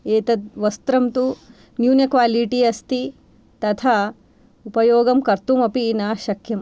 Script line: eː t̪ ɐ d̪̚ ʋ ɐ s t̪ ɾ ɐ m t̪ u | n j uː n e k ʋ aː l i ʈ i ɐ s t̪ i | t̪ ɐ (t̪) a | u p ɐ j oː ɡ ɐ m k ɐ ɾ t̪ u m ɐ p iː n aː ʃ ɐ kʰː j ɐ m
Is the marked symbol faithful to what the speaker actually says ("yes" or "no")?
no